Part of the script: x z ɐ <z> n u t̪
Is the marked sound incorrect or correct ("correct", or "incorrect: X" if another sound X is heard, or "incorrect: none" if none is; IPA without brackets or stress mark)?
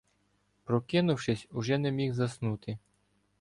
incorrect: s